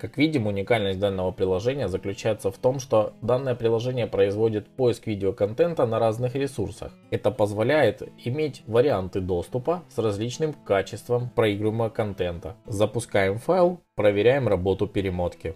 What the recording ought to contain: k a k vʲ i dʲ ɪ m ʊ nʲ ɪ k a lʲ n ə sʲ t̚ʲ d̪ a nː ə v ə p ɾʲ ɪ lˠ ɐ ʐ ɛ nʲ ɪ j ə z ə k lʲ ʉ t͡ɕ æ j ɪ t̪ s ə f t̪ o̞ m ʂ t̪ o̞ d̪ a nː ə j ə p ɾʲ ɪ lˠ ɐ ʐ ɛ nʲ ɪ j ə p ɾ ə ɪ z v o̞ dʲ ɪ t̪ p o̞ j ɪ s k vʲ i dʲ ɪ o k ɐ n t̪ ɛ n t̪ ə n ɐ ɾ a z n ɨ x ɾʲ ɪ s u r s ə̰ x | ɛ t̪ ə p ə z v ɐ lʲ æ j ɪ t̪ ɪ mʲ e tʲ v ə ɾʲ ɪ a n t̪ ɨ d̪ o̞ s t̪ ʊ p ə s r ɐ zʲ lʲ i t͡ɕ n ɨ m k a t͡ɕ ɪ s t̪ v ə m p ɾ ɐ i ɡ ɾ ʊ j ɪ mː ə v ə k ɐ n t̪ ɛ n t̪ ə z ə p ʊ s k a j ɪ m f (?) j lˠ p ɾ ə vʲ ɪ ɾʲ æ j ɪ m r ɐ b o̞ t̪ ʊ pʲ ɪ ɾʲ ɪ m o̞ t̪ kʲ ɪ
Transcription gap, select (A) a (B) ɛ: A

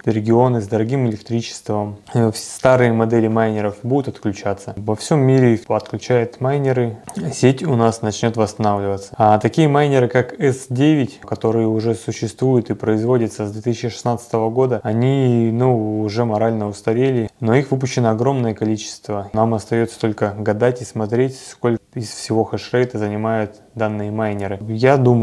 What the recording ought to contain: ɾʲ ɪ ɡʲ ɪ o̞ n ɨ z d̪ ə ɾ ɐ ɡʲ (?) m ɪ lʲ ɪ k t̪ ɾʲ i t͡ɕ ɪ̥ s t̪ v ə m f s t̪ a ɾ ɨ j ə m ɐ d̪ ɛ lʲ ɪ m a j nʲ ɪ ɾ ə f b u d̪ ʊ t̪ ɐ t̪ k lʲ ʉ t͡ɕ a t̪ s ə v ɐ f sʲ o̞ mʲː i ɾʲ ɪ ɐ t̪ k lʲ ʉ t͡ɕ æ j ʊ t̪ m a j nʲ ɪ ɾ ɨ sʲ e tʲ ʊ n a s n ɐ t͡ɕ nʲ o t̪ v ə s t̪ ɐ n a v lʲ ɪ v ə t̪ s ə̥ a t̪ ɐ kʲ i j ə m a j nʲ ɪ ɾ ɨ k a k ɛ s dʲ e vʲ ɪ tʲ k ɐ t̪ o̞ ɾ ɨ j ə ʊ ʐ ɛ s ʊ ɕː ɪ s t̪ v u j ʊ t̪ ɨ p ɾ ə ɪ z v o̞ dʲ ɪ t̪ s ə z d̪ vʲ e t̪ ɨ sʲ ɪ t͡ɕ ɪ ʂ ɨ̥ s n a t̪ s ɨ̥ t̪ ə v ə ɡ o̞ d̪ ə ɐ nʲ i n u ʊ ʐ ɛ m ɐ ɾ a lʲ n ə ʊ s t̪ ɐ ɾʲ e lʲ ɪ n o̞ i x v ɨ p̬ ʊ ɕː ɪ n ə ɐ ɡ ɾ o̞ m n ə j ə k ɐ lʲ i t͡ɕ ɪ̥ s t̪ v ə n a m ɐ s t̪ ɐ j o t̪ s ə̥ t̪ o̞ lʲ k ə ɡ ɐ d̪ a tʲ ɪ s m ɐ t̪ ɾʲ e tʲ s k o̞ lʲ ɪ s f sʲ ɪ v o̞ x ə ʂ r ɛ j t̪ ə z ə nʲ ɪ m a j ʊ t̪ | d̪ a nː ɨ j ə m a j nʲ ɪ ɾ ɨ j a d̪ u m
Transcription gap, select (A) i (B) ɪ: A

